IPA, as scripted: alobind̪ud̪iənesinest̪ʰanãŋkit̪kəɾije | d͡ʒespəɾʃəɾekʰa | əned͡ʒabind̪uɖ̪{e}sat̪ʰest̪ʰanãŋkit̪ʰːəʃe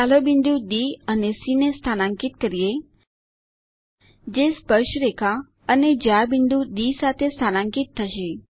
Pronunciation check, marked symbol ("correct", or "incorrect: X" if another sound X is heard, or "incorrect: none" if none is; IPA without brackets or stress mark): incorrect: i